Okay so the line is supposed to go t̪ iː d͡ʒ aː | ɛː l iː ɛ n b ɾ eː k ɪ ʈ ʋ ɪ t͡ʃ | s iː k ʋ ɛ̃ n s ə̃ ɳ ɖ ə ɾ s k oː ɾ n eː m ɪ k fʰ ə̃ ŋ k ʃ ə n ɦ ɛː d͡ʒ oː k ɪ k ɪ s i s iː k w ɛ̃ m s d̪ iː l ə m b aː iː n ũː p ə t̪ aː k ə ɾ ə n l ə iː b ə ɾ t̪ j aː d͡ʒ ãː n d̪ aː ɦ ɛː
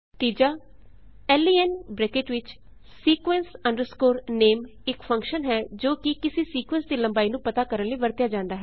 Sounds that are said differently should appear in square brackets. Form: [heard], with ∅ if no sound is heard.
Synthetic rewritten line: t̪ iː d͡ʒ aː | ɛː l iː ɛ n b ɾ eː k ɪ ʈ ʋ ɪ t͡ʃ | s iː k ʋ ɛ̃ n s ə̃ ɳ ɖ ə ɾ s k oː ɾ n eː m ɪ k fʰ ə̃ ŋ k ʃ ə n ɦ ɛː d͡ʒ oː k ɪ k ɪ s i s iː k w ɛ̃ [n] s d̪ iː l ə m b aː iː n ũː p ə t̪ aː k ə ɾ ə n l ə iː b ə ɾ t̪ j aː d͡ʒ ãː n d̪ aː ɦ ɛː